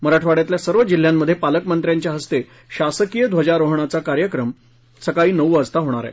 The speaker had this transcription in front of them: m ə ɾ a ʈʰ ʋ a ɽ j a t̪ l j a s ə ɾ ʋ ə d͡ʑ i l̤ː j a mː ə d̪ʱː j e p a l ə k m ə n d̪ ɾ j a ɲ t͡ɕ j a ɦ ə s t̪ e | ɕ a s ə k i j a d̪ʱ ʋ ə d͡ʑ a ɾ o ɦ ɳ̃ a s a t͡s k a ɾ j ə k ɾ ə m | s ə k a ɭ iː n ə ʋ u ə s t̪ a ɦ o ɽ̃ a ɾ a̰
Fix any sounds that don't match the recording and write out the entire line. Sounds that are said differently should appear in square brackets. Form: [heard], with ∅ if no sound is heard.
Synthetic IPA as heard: m ə ɾ a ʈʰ ʋ a ɽ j a t̪ l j a s ə ɾ ʋ ə d͡ʑ i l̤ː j a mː ə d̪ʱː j e p a l ə k m ə n [t̪] ɾ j a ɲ t͡ɕ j a ɦ ə s t̪ e | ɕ a s ə k i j [ə] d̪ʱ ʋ ə d͡ʑ a ɾ o ɦ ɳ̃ a [t͡s] a [∅] k a ɾ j ə k ɾ ə m | s ə k a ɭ iː n ə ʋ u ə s t̪ a ɦ o ɽ̃ a ɾ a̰